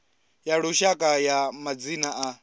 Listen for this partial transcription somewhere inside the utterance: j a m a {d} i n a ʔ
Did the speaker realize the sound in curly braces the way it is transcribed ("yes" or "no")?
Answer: no